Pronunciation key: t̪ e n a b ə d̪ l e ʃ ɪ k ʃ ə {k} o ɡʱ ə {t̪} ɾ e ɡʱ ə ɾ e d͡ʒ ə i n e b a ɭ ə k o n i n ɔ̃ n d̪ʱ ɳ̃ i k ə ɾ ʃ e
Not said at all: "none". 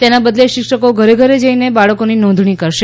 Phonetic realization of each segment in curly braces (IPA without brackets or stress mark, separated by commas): k, none